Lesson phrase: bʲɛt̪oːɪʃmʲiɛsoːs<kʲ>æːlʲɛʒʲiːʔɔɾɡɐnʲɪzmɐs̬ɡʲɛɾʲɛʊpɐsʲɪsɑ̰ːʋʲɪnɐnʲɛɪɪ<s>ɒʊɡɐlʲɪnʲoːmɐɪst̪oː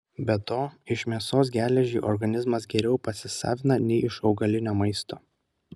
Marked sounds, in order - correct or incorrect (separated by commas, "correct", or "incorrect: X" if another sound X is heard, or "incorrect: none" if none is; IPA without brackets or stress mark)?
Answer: incorrect: ɡʲ, incorrect: ʃ